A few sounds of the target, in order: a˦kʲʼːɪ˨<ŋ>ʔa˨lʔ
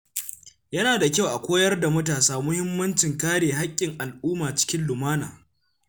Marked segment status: correct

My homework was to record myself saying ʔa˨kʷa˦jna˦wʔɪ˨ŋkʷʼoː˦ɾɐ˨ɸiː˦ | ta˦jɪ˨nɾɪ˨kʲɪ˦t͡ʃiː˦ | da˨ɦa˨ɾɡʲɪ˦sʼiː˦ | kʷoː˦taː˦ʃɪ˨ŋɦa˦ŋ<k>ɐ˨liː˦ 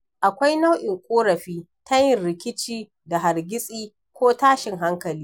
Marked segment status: correct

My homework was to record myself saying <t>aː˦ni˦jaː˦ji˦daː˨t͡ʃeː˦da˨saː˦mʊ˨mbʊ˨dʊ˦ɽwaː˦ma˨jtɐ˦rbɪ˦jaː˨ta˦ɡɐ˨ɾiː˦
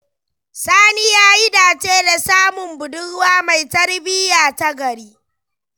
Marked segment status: incorrect: s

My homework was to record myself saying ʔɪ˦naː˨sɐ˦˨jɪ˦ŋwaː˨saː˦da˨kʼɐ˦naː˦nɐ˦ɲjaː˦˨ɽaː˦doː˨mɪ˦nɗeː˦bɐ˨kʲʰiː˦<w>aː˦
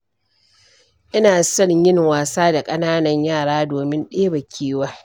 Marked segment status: correct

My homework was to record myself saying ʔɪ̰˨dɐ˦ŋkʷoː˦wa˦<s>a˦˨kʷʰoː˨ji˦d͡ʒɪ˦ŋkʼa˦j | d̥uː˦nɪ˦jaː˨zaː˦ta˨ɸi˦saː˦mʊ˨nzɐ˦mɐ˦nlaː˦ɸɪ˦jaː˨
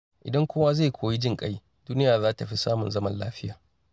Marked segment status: incorrect: z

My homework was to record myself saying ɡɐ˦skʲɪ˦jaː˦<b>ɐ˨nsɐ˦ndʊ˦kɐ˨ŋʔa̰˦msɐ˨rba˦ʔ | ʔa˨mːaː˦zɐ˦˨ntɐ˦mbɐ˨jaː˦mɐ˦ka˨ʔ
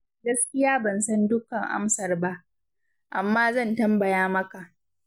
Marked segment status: correct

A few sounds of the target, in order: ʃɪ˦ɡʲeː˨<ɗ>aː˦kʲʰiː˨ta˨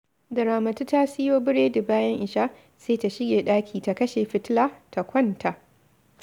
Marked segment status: correct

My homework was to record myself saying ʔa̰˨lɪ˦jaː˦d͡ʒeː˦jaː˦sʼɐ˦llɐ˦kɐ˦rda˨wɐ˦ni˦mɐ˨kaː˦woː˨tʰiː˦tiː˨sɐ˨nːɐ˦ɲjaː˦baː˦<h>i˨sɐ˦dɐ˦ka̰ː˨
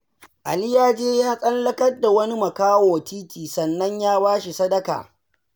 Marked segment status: incorrect: ʃ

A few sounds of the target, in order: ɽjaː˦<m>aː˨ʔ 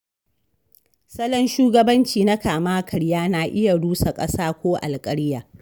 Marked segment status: incorrect: n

